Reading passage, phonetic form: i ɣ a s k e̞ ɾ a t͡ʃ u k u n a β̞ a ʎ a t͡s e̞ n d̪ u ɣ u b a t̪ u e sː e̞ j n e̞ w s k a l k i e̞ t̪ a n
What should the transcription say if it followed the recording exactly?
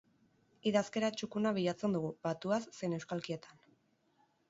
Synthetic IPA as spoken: i ð a s k e̞ ɾ a t͡ʃ u k u n a β̞ i ʎ a t͡s e̞ n d̪ u ɣ u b a t̪ u a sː e̞ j n e̞ w s k a l k i e̞ t̪ a n